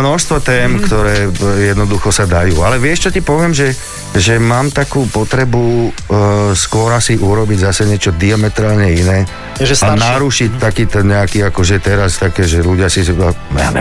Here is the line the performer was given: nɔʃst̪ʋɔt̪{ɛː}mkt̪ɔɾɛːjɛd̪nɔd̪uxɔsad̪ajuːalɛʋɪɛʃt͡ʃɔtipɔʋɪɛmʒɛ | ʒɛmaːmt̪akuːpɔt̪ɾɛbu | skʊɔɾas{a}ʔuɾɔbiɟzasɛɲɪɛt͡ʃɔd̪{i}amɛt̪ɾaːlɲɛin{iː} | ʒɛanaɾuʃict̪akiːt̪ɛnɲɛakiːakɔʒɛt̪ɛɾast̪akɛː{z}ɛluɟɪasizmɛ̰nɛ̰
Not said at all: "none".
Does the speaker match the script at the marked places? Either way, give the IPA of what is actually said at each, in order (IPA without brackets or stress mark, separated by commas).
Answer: ɛː, i, i, ɛː, ʒ